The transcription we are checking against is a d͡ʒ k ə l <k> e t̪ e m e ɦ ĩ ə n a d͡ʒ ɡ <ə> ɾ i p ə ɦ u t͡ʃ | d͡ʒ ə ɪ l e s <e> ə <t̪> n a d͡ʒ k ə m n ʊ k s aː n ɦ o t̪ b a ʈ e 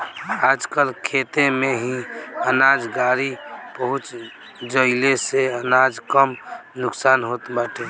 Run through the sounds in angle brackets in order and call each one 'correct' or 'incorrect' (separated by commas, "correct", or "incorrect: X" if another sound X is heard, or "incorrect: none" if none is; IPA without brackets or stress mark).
incorrect: kʰ, incorrect: a, correct, incorrect: none